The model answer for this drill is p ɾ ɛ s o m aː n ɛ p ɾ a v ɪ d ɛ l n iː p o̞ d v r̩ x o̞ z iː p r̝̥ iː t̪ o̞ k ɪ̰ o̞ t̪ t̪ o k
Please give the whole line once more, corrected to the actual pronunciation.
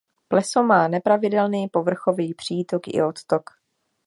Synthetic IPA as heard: p l ɛ s o m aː n ɛ p ɾ a v ɪ d ɛ l n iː p o̞ v r̩ x o̞ v iː p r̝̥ iː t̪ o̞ k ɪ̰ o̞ t̪ t̪ o k